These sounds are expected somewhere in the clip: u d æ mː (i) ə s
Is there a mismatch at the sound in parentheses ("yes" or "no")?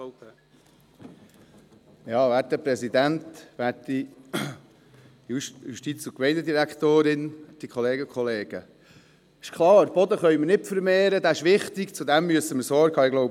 yes